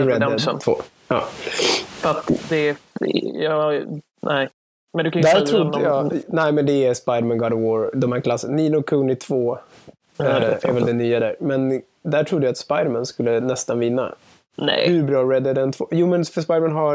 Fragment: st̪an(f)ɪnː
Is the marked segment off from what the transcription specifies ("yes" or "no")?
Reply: yes